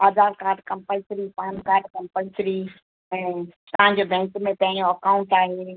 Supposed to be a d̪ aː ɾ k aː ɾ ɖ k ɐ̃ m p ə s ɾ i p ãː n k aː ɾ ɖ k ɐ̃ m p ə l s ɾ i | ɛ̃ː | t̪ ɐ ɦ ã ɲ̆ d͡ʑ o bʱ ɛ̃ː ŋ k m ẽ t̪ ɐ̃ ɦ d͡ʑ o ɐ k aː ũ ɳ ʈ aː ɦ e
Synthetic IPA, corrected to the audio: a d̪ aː ɾ k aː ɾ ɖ k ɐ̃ m p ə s ɾ i p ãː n k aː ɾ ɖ k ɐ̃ m p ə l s ɾ i | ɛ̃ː | t̪ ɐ ɦ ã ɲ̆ d͡ʑ o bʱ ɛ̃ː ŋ k m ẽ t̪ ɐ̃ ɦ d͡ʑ o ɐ k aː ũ ɳ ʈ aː ɦ e